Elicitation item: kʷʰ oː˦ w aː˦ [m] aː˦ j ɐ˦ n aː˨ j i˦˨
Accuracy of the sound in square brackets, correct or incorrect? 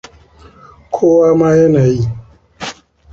correct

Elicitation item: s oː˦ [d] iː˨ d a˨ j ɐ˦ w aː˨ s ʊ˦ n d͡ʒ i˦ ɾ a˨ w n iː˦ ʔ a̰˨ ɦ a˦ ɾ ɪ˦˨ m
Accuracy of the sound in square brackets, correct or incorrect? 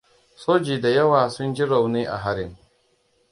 incorrect: d͡ʒ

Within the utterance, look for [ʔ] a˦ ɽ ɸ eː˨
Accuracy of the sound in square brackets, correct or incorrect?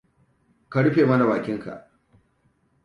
incorrect: k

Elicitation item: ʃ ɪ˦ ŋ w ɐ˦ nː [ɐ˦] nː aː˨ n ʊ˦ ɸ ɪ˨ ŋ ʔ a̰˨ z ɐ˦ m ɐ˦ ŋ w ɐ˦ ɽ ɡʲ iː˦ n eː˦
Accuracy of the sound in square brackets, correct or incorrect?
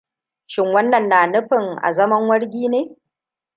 incorrect: ɐ˨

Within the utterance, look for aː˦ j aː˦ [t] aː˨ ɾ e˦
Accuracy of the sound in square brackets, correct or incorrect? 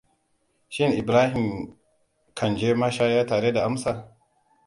correct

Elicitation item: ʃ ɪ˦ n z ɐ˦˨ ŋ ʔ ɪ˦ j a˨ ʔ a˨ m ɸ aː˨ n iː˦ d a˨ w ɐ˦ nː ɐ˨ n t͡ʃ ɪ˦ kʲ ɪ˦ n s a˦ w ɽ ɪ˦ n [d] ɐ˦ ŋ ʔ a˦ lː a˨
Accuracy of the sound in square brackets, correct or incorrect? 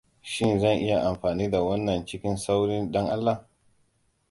incorrect: ɗ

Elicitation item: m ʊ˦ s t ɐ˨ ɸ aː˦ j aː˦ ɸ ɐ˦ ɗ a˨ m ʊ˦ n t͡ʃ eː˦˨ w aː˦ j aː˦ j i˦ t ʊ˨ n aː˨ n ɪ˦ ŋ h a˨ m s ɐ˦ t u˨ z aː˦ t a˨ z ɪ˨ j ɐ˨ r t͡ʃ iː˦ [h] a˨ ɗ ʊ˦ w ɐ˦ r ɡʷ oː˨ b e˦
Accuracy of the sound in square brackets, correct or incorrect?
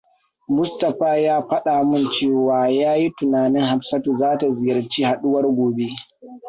correct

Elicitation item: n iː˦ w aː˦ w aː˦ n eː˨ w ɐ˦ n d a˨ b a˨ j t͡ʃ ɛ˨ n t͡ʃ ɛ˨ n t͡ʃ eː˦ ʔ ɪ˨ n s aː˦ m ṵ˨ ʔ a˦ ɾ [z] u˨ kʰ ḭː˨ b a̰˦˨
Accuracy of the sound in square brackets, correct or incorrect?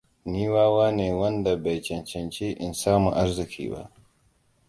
correct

